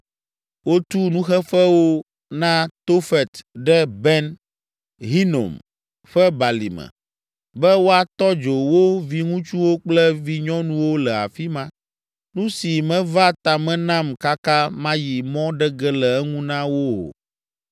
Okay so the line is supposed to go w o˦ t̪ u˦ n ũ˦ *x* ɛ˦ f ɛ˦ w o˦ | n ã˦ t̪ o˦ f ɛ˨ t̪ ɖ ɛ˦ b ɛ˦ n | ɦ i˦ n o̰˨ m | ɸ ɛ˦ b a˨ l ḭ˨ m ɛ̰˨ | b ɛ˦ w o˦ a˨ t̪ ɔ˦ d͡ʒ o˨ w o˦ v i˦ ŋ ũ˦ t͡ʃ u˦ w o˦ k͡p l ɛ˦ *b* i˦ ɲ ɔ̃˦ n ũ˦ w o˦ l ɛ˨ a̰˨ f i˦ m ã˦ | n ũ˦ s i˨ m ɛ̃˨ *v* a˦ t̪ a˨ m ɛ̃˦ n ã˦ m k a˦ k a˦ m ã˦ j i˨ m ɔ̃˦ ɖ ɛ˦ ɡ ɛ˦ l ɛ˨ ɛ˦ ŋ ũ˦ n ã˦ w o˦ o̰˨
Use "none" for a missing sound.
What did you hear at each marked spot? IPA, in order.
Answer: x, v, v

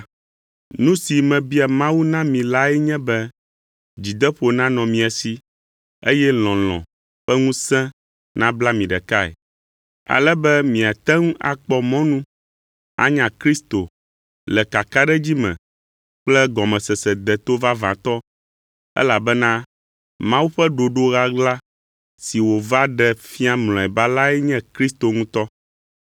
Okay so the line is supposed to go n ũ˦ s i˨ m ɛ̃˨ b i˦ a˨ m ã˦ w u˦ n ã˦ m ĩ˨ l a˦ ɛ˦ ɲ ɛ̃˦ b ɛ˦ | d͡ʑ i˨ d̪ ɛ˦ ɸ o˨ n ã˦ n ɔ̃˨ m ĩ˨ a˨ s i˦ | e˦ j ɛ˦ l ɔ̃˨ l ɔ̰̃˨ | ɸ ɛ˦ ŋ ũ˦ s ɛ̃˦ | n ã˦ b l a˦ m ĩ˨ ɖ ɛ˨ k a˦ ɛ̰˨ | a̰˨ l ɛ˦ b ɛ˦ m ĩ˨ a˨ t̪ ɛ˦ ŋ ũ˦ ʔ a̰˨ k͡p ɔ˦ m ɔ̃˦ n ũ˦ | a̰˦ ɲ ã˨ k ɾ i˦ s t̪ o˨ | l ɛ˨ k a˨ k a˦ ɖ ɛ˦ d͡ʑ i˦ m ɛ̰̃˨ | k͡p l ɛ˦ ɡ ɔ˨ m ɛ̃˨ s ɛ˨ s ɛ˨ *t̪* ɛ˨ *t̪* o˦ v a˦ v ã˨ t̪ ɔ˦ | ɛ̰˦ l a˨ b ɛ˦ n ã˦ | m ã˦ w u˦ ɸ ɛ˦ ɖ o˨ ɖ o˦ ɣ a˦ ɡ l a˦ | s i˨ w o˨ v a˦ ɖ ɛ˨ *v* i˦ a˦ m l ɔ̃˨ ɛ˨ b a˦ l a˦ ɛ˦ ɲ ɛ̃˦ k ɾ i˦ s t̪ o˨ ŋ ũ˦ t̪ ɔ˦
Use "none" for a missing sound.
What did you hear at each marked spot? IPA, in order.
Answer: d̪, t̪, f

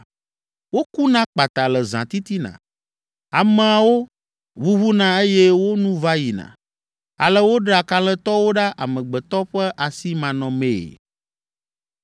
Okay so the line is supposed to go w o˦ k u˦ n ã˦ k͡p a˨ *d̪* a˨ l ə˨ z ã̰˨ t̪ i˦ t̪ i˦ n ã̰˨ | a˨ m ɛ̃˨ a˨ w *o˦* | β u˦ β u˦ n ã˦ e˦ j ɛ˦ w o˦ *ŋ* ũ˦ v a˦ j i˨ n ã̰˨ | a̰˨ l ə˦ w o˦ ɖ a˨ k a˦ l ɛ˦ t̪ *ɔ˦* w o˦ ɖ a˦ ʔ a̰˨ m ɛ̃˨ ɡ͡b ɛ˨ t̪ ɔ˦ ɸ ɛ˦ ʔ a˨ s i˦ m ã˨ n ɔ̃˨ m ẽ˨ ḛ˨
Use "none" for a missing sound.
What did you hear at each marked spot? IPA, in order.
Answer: t̪, o˦, n, ɔ˦

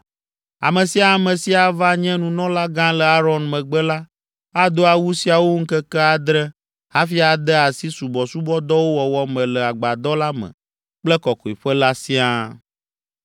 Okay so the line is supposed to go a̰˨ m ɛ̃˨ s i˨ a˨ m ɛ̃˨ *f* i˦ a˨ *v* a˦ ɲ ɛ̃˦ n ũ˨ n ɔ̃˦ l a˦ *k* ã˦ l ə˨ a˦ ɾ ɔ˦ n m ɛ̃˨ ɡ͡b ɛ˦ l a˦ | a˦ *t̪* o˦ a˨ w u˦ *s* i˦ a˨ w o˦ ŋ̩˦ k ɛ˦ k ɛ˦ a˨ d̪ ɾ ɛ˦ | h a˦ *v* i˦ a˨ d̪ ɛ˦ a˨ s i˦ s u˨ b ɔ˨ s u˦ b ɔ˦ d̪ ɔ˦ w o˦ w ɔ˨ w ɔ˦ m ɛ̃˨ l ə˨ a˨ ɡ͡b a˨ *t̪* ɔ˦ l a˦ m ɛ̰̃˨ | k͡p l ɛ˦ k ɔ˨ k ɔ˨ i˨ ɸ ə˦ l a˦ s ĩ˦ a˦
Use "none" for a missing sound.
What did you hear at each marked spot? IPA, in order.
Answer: s, v, ɡ, d̪, s, f, d̪

